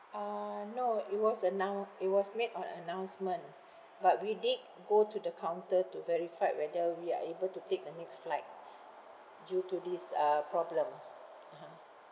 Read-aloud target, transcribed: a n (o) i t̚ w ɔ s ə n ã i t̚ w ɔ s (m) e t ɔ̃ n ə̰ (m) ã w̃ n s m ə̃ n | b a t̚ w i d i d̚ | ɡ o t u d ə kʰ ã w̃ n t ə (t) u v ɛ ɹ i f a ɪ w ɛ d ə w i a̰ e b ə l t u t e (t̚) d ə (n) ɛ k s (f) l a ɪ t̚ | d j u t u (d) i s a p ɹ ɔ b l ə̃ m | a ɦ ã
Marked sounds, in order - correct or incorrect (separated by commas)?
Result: correct, correct, incorrect, correct, incorrect, correct, correct, correct